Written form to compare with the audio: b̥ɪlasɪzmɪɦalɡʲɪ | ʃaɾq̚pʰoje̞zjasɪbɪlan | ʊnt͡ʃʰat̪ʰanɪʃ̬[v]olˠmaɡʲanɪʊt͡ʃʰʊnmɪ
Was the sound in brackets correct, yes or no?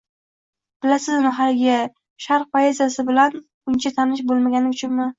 no